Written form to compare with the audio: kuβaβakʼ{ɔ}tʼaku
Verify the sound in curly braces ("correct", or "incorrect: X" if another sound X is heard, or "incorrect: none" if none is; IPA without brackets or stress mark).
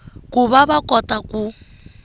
correct